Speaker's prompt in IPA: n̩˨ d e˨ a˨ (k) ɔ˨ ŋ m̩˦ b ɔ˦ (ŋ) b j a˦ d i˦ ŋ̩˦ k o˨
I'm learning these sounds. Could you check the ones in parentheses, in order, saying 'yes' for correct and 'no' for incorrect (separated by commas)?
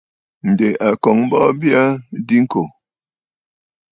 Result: yes, no